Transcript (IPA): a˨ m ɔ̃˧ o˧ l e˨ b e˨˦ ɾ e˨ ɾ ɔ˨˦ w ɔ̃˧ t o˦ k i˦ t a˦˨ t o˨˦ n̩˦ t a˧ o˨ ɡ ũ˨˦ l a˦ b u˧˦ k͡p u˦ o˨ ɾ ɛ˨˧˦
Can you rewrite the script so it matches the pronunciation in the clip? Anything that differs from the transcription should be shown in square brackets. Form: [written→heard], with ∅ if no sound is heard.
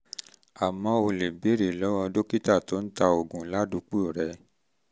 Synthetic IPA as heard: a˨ m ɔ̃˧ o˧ l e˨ b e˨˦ ɾ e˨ [ɾ→l] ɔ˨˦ w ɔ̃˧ [t→d] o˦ k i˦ t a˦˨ t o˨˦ n̩˦ t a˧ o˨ ɡ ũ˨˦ l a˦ [b→d] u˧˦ k͡p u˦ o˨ ɾ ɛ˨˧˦